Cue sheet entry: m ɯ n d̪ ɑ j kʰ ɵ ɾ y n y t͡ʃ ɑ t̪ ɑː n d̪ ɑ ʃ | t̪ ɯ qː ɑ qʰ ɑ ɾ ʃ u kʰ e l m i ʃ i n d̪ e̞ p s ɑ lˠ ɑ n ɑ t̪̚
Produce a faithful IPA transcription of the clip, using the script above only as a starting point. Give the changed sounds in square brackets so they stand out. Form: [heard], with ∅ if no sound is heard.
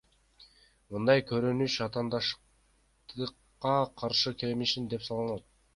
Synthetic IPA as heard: m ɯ n d̪ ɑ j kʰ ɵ ɾ y n y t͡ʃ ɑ t̪ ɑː n d̪ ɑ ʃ | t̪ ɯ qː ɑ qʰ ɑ ɾ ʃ [ɯ] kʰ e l m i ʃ i n d̪ e̞ p s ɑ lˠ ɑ n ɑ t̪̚